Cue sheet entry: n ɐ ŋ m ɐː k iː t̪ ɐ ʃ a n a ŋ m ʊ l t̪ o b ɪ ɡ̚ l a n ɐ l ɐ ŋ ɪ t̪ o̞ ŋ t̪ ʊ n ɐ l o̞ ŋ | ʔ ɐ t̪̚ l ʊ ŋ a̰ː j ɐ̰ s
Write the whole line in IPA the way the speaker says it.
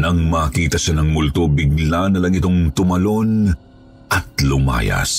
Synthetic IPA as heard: n ɐ ŋ m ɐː k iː t̪ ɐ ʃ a n ɐ ŋ m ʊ l t̪ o b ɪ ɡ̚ l a n ɐ l ɐ ŋ ɪ t̪ o̞ ŋ t̪ ʊ m ɐ l o̞ n | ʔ ɐ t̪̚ l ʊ m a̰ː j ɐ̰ s